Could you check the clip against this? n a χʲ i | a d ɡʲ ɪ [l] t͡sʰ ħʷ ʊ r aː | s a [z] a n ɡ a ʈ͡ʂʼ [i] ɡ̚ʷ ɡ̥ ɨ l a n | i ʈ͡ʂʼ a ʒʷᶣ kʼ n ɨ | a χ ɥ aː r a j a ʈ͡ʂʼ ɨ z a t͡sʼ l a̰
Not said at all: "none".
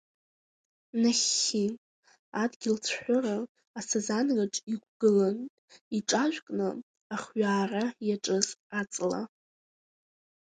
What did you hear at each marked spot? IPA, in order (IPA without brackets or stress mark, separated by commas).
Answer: l, z, i